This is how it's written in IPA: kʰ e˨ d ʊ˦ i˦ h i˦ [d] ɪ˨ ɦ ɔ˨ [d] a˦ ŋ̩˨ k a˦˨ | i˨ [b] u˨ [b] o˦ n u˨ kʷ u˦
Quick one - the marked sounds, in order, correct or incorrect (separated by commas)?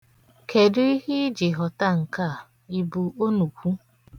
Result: incorrect, incorrect, correct, incorrect